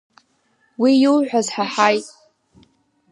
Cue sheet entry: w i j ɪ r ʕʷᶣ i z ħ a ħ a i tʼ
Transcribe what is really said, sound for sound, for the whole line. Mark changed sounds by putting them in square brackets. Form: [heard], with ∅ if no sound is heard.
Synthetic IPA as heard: w i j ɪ [l] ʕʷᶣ [a] z ħ a ħ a [j] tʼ

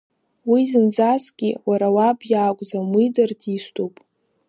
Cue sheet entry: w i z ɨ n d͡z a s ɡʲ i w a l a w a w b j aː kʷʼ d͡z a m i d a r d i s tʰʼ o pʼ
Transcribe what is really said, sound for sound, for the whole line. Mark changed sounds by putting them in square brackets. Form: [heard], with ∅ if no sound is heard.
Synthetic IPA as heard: w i z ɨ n d͡z a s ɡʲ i w a [ɾ] a w a [∅] b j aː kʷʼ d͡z a m i d a r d i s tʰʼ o pʼ

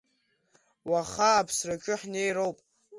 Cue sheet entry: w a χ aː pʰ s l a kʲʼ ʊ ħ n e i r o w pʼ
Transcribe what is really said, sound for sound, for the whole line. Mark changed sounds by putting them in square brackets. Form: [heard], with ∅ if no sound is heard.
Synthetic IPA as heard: w a χ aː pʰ s [r] a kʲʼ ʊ ħ n e [j] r o w pʼ

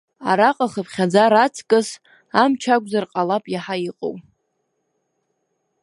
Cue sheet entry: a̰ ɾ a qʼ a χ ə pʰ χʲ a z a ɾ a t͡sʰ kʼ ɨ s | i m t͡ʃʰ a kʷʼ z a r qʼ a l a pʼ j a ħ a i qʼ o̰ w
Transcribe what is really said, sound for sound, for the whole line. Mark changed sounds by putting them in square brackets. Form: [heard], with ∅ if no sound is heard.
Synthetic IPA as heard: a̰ ɾ a qʼ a χ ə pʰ χʲ a [d͡z] a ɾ a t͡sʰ kʼ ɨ s | [a] m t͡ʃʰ a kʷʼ z a r qʼ a l a pʼ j a ħ a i qʼ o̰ w

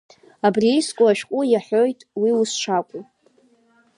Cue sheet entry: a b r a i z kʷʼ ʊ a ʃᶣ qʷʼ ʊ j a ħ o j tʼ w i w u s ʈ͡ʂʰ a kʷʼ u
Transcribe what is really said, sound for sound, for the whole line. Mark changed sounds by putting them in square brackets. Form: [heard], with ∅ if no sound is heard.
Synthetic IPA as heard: a b r [i] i [s] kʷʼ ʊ a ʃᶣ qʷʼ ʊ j a ħ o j tʼ w i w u s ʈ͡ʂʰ a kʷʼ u

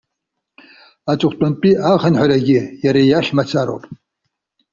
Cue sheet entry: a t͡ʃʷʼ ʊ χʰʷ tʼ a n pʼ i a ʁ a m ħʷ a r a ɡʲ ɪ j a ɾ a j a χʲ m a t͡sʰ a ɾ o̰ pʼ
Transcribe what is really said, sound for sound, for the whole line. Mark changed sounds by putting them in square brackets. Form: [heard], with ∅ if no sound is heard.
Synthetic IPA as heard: a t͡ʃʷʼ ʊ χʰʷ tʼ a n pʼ i a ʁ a [n] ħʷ a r a ɡʲ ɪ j a ɾ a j a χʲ m a t͡sʰ a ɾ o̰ pʼ

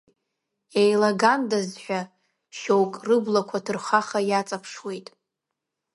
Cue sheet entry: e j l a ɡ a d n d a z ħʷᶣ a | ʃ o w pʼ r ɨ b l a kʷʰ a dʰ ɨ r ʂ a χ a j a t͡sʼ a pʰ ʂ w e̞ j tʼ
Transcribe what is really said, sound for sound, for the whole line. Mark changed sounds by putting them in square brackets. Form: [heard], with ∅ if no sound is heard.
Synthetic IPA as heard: e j l a ɡ a [∅] n d a z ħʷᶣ a | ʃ o w [kʼ] r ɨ b l a kʷʰ a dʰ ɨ r [χ] a χ a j a t͡sʼ a pʰ ʂ w e̞ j tʼ

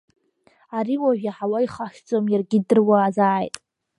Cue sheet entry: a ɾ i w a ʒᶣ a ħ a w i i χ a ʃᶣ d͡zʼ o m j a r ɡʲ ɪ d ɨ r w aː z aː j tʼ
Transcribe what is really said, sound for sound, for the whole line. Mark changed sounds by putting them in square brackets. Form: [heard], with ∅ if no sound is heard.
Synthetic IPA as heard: a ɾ i w a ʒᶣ a ħ a w [a] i χ a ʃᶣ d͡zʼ o m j a r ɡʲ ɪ d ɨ r w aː z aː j tʼ

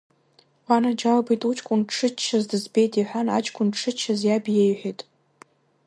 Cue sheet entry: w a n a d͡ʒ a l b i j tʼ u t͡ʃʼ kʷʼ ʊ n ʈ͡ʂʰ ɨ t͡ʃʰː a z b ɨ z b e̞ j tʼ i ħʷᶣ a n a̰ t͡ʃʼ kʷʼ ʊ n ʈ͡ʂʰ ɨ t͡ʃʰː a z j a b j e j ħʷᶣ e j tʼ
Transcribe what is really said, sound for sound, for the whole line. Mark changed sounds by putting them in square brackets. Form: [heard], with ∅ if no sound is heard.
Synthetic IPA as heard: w a n a d͡ʒ a l b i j tʼ u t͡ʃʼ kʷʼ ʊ n ʈ͡ʂʰ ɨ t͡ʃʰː a z [d] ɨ z b e̞ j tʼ i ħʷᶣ a n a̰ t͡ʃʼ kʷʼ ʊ n ʈ͡ʂʰ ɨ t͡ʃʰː a z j a b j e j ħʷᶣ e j tʼ

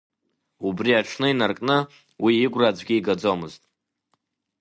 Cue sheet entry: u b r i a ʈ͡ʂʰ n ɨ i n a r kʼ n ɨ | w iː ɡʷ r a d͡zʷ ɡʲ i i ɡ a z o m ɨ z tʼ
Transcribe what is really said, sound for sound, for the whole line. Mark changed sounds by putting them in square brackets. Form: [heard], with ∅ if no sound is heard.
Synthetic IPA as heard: u b r i a ʈ͡ʂʰ n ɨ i n a r kʼ n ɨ | w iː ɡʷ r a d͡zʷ ɡʲ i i ɡ a [d͡z] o m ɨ z tʼ

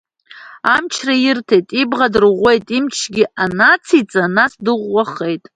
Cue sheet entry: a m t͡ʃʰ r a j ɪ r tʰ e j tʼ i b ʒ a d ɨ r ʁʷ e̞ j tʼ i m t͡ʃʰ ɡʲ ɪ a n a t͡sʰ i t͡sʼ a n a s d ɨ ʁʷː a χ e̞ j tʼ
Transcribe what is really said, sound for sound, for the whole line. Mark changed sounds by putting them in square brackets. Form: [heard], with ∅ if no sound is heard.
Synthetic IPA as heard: a m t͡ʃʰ r a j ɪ r tʰ e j tʼ i b [ʁ] a d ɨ r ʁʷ e̞ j tʼ i m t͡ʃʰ ɡʲ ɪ a n a t͡sʰ i t͡sʼ a n a s d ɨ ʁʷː a χ e̞ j tʼ

